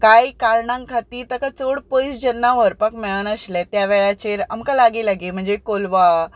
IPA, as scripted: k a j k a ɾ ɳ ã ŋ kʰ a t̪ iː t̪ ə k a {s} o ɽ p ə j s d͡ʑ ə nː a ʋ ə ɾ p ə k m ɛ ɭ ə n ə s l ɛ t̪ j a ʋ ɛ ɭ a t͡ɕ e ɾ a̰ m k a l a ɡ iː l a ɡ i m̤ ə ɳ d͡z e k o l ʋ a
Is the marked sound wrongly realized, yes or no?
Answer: yes